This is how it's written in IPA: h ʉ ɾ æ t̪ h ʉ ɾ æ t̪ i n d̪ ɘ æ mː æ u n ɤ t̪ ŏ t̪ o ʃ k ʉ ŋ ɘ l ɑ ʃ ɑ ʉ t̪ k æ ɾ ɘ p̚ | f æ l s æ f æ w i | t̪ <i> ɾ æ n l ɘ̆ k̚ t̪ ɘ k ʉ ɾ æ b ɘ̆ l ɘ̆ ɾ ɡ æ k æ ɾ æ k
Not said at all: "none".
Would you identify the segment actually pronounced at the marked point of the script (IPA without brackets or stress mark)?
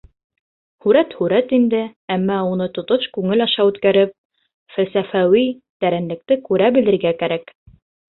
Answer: æ